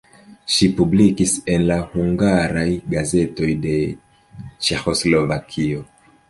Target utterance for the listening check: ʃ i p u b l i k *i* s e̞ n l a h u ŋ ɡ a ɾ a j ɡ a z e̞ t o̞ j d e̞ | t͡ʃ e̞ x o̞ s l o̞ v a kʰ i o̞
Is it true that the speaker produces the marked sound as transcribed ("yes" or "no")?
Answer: yes